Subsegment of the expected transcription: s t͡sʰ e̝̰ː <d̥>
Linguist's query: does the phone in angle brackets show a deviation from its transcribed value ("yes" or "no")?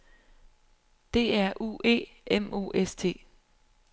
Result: yes